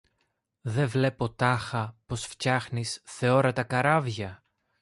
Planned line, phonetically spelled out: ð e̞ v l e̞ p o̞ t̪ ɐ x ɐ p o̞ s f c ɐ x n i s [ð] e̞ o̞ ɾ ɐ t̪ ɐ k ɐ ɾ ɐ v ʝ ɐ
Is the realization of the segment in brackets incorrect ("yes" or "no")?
yes